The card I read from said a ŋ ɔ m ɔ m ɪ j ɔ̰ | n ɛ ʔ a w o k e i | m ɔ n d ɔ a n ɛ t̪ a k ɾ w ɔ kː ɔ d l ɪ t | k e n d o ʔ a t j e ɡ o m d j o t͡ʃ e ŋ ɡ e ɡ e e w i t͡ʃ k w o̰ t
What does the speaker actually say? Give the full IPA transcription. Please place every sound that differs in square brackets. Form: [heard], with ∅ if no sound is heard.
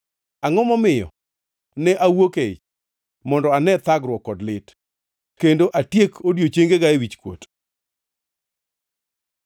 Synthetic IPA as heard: a ŋ ɔ m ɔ m ɪ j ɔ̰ | n ɛ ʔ a w o k e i | m ɔ n d ɔ a n ɛ t̪ a [ɡ] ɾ w ɔ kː ɔ d l ɪ t | k e n d o ʔ a t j e [k] o [∅] d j o t͡ʃ e ŋ ɡ e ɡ [a] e w i t͡ʃ k w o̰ t